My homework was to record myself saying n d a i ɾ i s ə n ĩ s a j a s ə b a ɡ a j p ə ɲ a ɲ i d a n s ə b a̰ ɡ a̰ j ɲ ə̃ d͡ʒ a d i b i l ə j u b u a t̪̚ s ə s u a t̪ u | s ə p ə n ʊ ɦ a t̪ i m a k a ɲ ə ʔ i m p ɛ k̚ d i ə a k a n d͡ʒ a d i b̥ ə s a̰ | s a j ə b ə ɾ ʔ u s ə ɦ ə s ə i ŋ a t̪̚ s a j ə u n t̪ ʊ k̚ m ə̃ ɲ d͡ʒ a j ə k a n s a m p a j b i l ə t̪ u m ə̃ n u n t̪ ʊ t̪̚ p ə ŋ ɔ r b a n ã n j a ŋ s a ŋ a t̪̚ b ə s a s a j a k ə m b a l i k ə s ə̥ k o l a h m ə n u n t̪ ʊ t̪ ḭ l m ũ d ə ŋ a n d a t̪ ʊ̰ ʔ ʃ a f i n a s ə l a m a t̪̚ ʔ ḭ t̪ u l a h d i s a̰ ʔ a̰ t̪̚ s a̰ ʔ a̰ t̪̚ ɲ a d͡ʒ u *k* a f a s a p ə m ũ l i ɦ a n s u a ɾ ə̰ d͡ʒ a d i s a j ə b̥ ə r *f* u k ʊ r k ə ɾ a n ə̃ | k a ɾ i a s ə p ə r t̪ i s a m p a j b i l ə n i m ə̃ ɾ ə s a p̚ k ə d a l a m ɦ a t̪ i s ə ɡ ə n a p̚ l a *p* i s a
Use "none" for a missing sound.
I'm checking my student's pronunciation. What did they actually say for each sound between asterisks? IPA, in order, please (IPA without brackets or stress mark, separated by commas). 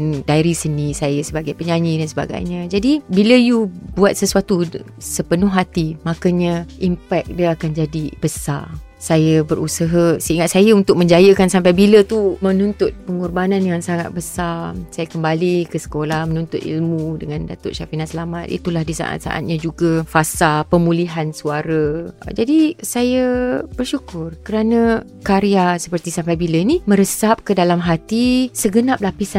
ɡ, ʃ, p